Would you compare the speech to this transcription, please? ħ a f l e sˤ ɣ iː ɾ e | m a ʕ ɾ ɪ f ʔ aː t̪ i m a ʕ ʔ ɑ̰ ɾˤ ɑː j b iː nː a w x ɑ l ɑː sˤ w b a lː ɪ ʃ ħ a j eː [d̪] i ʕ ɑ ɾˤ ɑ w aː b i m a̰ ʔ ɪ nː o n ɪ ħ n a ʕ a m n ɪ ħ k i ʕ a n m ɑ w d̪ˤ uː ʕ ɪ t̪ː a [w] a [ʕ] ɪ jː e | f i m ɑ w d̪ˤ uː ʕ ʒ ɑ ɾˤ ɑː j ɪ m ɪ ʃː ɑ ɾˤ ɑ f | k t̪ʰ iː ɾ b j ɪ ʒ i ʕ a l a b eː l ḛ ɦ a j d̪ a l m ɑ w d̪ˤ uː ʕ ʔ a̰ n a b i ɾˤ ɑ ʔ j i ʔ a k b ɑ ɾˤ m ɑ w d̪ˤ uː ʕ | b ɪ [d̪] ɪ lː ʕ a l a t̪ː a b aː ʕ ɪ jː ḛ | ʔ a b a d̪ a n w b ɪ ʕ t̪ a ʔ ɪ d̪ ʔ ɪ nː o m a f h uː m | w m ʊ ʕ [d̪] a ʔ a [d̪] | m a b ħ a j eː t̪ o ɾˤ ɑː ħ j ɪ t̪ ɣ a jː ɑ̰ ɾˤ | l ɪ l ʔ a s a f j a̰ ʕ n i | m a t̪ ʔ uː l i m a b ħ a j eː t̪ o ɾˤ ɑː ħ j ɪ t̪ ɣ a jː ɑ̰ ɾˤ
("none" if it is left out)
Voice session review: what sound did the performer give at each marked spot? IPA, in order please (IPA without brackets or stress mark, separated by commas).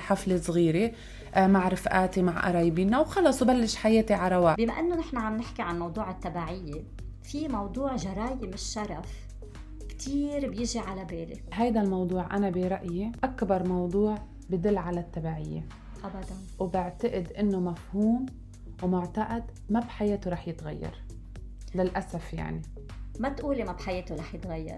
t̪, b, ʕ, d̪, t̪, d̪